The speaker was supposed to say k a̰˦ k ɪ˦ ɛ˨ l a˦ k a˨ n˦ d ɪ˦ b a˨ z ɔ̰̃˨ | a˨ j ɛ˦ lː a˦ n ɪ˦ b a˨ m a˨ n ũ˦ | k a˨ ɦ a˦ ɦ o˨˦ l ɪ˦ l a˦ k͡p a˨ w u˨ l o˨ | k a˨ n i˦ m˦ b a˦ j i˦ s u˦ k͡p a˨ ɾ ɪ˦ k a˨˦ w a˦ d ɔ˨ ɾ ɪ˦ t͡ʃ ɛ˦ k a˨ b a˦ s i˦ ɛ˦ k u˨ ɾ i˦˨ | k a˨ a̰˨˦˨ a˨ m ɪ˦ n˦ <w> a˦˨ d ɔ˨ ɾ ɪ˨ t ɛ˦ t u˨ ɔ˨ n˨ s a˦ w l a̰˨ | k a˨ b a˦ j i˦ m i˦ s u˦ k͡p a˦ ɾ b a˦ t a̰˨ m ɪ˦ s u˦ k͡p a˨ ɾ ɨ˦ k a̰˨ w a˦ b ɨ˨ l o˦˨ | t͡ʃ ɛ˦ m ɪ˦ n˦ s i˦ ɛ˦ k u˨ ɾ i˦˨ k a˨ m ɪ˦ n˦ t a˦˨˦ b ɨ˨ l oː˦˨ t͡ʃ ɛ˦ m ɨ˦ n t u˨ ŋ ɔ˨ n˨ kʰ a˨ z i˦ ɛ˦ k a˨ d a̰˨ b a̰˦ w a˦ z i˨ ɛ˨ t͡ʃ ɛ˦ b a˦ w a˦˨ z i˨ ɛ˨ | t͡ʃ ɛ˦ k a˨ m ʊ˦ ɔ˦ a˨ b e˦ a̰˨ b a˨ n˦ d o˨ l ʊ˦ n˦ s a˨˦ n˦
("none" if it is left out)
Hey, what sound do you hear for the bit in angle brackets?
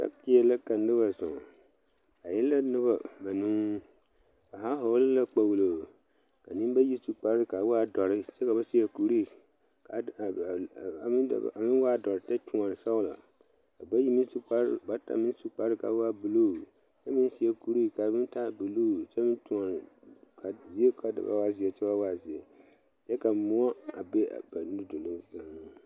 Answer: w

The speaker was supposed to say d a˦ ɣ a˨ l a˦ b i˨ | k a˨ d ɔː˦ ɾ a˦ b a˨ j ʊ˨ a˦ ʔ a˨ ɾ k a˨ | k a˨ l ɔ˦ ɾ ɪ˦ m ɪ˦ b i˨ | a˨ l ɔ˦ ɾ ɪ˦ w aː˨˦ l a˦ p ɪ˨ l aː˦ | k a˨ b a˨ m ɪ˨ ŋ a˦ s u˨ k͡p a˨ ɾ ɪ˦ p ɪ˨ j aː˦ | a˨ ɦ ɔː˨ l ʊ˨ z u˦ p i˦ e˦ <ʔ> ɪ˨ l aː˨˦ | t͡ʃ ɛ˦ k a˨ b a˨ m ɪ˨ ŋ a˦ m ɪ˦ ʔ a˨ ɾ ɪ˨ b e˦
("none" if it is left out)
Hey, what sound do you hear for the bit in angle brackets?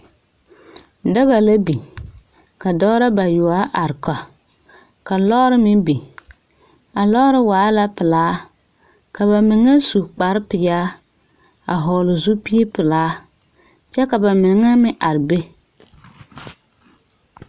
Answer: p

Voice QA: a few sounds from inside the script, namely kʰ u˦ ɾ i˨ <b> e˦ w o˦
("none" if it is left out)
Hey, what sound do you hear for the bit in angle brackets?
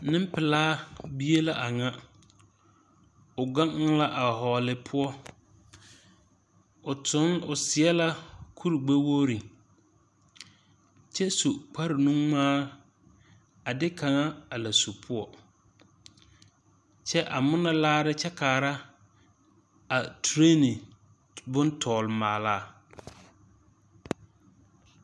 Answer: ɡ͡b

